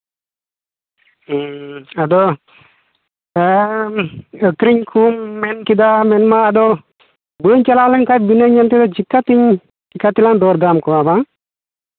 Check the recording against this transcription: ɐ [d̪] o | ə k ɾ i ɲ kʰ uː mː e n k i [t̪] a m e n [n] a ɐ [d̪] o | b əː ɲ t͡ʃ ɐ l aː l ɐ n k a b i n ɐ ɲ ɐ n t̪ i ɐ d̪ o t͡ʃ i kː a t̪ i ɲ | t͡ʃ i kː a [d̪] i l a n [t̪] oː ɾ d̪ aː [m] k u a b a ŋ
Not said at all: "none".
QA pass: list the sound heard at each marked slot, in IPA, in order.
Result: d̪, d̪, m, d̪, t̪, d̪, m

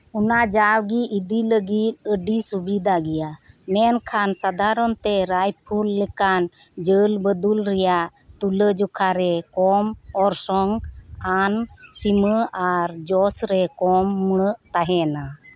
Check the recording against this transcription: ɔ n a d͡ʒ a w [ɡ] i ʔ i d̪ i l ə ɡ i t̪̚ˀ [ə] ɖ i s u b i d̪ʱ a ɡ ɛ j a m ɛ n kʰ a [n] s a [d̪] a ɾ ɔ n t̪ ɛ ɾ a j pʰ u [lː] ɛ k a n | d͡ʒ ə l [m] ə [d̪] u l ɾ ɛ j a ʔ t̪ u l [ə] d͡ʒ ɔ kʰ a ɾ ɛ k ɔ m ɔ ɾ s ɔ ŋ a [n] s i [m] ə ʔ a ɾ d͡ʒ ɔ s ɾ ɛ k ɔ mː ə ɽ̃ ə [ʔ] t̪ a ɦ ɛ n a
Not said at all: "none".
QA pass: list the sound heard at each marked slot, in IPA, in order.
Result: ɡ, ə, n, d̪, lː, b, d̪, ə, n, m, ʔ

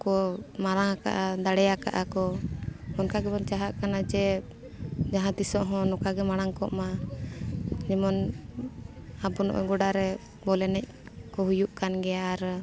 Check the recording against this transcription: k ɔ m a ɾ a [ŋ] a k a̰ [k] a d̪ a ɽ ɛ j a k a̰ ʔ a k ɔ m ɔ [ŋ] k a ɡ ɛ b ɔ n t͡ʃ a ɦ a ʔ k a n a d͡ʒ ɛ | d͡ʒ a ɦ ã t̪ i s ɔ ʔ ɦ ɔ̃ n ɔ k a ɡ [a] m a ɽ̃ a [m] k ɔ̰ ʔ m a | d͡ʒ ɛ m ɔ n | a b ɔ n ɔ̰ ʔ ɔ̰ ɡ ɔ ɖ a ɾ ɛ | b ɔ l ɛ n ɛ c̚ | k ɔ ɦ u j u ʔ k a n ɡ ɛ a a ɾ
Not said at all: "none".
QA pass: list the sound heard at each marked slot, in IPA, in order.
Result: ŋ, ʔ, n, ɛ, ŋ

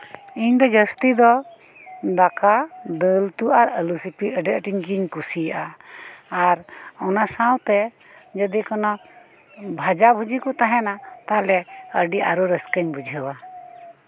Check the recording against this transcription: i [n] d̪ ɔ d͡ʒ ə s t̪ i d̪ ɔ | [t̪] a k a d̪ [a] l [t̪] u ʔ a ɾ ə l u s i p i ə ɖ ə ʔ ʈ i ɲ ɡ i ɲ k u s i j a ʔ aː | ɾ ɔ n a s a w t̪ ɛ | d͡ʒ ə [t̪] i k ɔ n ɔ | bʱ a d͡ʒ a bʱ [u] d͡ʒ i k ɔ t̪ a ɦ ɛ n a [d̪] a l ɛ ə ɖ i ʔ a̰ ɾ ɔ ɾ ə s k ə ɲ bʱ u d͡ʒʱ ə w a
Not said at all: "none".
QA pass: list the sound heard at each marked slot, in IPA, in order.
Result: ɲ, d̪, ə, t̪, d̪, u, t̪

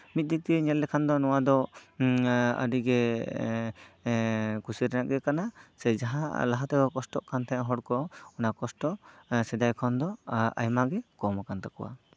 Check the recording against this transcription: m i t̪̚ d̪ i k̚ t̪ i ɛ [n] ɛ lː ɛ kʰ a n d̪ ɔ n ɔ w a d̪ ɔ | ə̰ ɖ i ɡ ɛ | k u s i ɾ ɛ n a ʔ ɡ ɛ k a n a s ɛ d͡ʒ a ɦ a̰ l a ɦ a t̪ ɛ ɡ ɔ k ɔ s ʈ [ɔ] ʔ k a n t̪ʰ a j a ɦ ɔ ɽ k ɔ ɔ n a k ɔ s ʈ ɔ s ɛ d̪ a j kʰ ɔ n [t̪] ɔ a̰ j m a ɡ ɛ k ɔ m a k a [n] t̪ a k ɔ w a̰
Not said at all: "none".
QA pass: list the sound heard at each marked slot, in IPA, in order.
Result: ɲ, ɔ, d̪, n

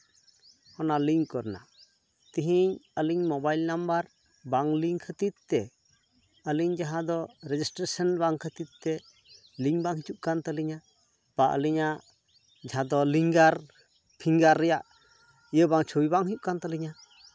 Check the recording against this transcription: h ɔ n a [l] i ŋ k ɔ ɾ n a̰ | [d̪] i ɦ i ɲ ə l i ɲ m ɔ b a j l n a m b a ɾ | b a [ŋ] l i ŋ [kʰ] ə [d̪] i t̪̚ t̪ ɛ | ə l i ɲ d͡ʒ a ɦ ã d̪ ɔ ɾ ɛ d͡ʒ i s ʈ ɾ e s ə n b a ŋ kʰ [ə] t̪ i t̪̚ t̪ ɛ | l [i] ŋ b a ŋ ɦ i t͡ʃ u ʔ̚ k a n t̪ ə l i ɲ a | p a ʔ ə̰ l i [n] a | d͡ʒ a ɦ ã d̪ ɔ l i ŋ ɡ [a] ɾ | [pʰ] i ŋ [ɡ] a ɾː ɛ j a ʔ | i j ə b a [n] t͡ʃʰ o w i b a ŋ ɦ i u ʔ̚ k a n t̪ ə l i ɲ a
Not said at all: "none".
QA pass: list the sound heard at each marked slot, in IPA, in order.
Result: l, t̪, ŋ, kʰ, t̪, ə, i, ɲ, a, pʰ, ɡ, ŋ

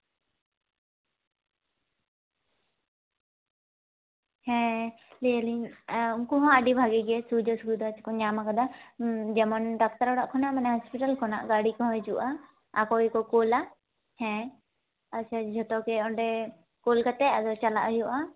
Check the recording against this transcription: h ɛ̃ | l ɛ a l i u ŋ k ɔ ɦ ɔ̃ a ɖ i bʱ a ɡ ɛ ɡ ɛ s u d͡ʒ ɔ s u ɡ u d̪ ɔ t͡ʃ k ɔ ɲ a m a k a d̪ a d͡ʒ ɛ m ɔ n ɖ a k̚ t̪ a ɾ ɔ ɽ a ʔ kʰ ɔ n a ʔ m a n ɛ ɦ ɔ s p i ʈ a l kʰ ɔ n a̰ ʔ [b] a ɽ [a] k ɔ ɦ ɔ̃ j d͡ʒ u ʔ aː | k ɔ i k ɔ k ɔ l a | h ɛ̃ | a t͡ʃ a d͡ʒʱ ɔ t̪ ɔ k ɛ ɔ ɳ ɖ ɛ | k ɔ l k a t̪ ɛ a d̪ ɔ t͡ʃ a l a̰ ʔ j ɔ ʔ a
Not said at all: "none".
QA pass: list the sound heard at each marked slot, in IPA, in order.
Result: ɡ, i

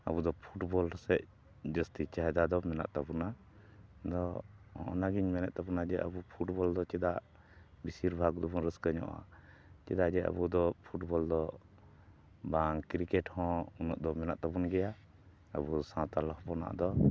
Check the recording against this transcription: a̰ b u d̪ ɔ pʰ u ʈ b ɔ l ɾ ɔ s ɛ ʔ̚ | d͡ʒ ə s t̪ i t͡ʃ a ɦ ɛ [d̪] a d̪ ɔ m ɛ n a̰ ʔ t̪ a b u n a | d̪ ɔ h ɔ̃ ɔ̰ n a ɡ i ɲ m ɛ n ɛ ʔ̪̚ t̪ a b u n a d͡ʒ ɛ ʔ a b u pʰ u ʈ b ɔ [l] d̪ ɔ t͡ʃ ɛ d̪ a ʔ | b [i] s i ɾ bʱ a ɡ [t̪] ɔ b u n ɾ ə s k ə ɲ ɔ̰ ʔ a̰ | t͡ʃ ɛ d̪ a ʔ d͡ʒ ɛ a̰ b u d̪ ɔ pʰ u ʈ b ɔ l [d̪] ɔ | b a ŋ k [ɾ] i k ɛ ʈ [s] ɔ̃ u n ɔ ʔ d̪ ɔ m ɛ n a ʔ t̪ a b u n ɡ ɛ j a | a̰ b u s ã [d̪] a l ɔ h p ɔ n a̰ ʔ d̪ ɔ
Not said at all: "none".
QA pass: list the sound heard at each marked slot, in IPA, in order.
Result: d̪, l, i, d̪, d̪, ɾ, h, t̪

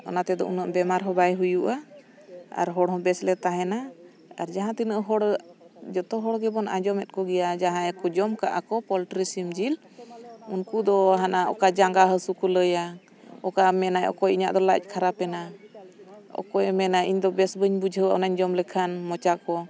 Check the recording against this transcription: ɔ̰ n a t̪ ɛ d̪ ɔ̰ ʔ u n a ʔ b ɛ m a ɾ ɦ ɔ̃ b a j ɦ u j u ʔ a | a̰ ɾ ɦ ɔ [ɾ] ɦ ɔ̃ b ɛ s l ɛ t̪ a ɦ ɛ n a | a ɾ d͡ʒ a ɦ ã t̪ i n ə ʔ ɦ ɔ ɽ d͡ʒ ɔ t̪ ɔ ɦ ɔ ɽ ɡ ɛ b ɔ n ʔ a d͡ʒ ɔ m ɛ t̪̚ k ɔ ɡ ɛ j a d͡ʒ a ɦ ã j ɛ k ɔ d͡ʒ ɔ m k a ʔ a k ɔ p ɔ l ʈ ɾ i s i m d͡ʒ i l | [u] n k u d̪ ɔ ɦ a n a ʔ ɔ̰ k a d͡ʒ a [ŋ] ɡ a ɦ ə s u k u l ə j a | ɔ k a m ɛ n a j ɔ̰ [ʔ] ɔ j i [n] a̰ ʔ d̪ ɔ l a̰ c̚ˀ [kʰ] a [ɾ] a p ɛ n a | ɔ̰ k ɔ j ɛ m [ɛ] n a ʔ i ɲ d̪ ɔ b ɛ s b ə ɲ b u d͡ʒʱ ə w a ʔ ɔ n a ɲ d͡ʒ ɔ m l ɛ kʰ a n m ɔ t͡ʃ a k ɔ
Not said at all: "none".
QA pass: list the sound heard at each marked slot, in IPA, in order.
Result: ɽ, u, ŋ, k, ɲ, kʰ, ɾ, ɛ

